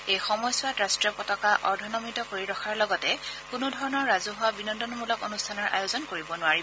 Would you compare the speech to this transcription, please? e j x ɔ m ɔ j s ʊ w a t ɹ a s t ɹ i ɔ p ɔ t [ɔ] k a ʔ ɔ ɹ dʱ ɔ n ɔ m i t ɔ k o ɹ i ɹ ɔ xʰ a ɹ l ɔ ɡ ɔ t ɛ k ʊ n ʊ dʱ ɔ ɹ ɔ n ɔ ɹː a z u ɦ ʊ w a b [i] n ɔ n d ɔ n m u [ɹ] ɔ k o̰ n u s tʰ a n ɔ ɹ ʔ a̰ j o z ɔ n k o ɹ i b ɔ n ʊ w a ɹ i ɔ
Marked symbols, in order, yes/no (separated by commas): yes, yes, no